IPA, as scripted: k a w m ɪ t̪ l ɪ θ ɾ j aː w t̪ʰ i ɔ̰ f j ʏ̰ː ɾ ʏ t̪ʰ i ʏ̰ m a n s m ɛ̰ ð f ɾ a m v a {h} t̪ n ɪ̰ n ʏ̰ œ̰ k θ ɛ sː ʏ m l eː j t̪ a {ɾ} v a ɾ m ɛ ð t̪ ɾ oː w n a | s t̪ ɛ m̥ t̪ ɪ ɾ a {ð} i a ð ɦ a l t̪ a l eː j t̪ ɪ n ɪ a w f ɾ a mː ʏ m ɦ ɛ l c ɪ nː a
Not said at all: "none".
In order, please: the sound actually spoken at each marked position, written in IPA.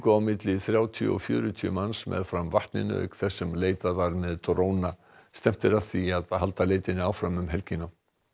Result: h, none, θ

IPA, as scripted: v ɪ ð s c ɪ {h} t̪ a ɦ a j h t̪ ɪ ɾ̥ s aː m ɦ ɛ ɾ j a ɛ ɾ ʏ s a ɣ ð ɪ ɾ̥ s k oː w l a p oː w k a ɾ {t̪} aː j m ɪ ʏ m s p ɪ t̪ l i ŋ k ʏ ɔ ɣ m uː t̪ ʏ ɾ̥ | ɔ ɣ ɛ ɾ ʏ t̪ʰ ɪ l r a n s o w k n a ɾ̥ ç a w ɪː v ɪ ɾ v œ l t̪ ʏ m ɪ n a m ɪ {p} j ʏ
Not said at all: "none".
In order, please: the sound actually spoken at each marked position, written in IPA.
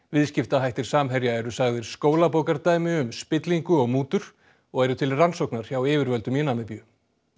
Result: f, t̪, p

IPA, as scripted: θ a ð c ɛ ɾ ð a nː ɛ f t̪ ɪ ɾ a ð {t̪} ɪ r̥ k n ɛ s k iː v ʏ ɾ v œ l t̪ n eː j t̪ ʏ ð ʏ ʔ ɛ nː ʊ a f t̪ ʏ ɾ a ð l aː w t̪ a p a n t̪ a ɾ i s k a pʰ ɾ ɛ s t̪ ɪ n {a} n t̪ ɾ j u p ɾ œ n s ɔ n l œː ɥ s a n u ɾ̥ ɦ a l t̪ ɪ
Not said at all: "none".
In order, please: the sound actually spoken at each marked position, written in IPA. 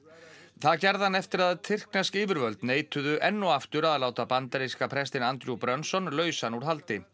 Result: t̪ʰ, a

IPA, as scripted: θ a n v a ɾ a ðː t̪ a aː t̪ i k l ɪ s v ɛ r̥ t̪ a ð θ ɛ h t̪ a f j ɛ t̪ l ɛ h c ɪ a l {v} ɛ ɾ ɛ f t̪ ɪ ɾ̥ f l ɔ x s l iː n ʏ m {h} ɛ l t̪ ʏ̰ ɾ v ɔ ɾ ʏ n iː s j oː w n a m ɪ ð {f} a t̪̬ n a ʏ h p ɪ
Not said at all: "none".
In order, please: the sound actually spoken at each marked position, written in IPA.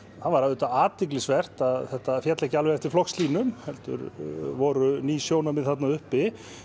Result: v, h, θ

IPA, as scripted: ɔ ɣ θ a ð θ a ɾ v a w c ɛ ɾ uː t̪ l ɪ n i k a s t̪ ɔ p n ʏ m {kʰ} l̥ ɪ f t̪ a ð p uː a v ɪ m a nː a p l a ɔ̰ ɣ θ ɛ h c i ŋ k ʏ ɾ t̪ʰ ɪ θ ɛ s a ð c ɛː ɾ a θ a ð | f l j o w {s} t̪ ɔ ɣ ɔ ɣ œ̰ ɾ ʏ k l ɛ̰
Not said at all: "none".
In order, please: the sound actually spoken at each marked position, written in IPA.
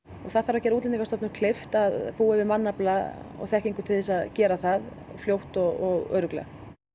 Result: kʰ, h

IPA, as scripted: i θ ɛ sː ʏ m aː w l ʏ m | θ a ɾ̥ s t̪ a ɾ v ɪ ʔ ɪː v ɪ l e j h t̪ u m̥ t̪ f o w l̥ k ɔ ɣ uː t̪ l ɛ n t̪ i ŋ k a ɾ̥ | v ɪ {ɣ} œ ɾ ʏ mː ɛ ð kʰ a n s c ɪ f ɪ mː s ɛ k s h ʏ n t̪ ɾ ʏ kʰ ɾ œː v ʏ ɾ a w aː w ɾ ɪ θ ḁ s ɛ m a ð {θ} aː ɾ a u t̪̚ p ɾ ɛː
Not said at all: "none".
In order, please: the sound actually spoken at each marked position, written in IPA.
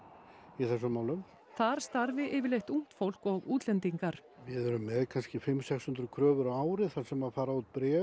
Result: ð, f

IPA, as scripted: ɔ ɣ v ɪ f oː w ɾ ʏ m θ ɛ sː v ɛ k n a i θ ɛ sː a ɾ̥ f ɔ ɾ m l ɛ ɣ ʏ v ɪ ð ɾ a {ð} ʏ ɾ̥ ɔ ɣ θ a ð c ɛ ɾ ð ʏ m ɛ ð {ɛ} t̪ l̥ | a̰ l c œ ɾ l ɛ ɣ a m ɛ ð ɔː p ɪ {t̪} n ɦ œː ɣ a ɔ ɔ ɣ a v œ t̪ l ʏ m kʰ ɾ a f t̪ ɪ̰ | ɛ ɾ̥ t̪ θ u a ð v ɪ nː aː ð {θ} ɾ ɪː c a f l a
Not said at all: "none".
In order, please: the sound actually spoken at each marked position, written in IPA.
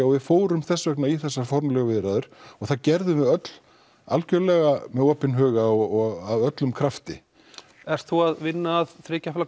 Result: ð, œ, none, θ

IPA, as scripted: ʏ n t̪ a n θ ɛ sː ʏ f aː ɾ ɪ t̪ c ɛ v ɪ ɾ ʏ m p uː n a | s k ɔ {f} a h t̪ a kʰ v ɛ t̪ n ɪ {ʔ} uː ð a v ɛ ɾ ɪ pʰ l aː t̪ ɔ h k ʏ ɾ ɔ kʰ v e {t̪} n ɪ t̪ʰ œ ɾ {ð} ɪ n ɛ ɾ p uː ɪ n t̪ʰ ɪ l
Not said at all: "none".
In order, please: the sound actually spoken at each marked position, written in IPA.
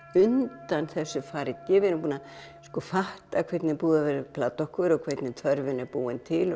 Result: f, p, t̪, v

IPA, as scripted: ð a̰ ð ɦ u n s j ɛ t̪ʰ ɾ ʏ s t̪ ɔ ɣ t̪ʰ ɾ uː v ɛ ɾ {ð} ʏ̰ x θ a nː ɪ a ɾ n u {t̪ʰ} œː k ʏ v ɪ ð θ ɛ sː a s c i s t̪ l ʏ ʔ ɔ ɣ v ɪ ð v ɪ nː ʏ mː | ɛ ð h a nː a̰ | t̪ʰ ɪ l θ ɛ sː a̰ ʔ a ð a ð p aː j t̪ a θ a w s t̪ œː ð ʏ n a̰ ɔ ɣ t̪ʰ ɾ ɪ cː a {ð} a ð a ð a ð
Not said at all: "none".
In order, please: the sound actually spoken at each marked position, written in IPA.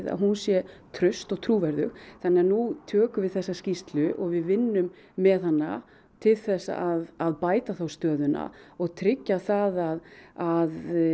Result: ð, t̪ʰ, θ

